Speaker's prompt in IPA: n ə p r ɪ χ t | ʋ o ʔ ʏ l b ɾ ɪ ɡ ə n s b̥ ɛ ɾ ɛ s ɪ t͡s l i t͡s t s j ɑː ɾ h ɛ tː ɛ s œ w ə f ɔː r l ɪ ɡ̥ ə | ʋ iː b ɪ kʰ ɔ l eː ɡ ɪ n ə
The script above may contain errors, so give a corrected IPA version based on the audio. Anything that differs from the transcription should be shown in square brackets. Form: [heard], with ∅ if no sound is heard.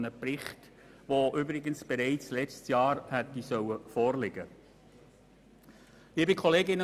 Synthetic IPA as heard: n ə p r ɪ χ t | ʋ o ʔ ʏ [∅] b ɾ ɪ ɡ ə n s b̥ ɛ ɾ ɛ [∅] ɪ t͡s l [ɛ] t͡s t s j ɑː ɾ h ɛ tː [i] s œ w ə f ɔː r l ɪ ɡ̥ ə | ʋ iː b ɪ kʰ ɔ l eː ɡ ɪ n ə